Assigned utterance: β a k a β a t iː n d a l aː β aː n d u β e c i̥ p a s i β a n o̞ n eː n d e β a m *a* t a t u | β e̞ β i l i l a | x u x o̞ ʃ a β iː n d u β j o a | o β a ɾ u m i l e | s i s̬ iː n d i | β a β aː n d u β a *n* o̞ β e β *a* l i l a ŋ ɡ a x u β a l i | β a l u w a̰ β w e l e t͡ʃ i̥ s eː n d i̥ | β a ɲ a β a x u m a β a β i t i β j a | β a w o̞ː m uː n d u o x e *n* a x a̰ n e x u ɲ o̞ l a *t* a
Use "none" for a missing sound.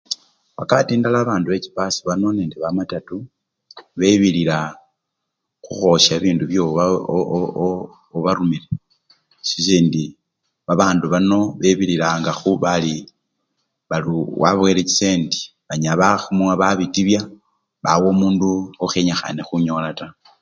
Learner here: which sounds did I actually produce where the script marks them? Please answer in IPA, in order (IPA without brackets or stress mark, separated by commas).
a, n, i, ɲ, t